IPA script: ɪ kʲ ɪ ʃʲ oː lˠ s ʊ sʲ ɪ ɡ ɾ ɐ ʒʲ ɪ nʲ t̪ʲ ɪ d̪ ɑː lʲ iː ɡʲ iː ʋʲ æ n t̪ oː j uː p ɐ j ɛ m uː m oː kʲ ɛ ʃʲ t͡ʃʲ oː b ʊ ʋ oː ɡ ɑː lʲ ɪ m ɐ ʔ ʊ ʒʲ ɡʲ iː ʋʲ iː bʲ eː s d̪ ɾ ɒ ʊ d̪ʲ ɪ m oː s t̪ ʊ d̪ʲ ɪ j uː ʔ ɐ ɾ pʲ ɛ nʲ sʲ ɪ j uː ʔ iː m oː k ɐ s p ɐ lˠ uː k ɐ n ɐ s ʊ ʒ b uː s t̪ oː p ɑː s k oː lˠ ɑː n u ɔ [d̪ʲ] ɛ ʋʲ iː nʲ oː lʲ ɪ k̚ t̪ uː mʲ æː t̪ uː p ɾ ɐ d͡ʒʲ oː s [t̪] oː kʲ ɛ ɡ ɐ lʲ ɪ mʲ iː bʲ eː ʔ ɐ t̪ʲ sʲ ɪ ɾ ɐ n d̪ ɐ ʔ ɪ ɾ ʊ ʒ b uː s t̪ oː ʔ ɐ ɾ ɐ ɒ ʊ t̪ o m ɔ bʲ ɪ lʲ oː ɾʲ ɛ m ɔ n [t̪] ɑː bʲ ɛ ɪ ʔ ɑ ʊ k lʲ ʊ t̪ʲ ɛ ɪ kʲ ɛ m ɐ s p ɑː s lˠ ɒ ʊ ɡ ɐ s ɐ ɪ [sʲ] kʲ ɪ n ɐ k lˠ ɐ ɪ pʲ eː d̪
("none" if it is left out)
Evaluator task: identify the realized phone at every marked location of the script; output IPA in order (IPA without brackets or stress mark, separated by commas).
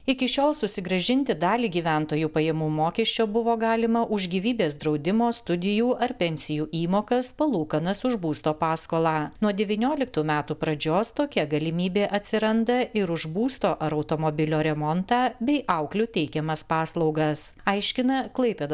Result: d̪ʲ, t̪, t̪, ʃʲ